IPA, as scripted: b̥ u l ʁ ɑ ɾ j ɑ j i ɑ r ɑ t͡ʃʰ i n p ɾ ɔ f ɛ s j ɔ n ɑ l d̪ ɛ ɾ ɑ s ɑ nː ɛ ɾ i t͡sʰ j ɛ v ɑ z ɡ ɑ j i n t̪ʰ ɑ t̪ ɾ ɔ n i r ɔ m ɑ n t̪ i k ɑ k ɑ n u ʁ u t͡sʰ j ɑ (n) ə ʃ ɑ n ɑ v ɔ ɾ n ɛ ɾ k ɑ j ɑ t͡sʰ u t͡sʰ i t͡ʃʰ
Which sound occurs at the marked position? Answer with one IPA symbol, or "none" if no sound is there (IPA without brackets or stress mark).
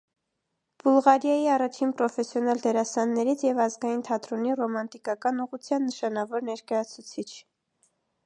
nː